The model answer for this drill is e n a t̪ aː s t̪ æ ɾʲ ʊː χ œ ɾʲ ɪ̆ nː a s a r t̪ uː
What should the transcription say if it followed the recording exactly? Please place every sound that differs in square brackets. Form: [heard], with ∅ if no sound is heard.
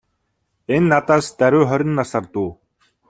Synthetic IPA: e [nː] a t̪ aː s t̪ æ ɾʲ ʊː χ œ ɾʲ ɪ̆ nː a s a r t̪ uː